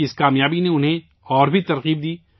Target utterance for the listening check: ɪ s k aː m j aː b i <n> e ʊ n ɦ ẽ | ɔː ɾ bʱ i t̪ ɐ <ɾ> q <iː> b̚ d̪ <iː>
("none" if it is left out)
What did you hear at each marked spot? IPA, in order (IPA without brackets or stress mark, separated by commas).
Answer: n, ɾ, iː, iː